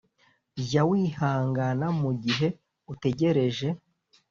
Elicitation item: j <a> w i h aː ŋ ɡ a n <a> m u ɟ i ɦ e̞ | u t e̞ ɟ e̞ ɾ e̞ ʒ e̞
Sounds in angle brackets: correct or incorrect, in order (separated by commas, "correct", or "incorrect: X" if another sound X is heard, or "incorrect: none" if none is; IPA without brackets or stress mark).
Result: correct, correct